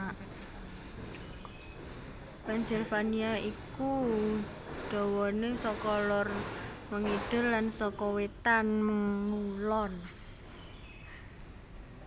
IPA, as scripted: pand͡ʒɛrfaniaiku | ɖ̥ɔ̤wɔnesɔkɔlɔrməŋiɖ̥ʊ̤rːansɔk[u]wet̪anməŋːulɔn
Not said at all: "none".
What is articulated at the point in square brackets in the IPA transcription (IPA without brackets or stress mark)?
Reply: ɔ